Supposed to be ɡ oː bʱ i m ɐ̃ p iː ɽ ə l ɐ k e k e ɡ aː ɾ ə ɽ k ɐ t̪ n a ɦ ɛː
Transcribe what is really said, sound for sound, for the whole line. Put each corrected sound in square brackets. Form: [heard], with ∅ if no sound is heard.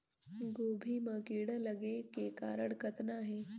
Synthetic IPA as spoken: ɡ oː bʱ i m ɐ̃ [k] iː ɽ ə l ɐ [ɡ] e k e [k] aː ɾ ə ɽ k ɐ t̪ n a ɦ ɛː